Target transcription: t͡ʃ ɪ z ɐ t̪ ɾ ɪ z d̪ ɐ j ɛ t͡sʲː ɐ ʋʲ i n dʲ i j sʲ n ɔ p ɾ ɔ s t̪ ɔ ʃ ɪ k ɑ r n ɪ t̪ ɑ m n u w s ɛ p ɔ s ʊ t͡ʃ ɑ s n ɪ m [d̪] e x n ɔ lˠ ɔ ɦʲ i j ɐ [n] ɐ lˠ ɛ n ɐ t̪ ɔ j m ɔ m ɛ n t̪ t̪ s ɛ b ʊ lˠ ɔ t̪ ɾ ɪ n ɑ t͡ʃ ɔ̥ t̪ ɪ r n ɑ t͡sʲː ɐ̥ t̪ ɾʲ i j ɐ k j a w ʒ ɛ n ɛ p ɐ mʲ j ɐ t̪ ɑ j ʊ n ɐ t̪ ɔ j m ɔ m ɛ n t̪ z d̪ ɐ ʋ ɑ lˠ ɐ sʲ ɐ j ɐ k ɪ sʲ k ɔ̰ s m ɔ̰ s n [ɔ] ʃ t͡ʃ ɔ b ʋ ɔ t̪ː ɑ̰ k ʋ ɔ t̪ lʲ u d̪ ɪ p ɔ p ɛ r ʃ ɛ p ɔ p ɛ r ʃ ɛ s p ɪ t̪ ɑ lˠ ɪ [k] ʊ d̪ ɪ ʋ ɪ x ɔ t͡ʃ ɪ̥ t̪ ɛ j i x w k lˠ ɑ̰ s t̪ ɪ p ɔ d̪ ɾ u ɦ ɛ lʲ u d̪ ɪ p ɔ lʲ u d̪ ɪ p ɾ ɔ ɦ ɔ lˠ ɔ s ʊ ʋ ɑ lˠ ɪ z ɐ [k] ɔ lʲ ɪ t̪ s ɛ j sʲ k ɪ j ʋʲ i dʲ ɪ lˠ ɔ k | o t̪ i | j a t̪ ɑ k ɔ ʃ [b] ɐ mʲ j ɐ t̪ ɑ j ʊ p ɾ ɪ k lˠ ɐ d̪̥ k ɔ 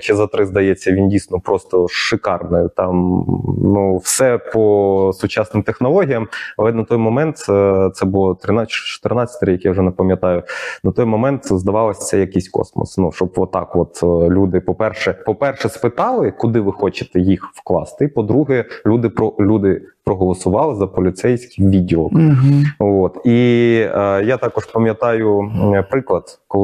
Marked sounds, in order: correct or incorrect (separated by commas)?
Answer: incorrect, incorrect, incorrect, correct, incorrect, incorrect